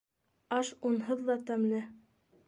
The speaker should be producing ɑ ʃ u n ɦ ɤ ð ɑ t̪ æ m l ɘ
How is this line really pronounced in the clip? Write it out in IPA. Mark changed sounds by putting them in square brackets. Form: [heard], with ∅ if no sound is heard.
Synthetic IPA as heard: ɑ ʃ u n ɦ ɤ [ðː] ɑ t̪ æ m l ɘ